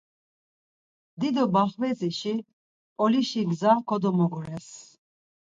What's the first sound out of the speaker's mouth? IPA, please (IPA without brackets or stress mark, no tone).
d̪